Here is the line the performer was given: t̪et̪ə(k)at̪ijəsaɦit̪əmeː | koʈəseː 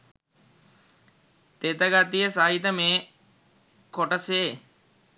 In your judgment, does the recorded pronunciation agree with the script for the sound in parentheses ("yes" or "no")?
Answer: no